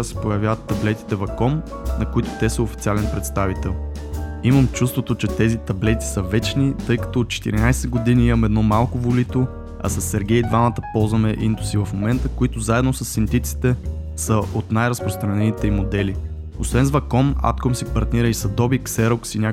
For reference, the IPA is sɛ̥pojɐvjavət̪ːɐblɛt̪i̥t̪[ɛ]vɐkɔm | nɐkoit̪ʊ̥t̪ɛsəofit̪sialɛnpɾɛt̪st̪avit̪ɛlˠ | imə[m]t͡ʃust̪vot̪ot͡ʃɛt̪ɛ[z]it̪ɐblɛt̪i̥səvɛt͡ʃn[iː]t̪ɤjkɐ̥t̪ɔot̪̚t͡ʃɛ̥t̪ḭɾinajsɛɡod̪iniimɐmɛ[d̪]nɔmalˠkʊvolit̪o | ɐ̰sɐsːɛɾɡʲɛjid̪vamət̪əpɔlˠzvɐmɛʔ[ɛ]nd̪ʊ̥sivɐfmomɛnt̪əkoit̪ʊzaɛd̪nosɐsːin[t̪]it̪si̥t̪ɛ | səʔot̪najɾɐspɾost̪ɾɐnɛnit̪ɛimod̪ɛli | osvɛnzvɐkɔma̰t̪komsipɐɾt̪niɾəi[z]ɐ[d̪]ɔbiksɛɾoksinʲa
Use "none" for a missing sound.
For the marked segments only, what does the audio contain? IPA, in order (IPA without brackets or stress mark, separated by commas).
ɛ, m, z, i, d̪, i, t̪, s, d̪